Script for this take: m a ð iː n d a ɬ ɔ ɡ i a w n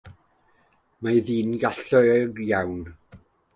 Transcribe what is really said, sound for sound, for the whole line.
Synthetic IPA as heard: m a ð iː n ɡ a ɬ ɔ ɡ j a w n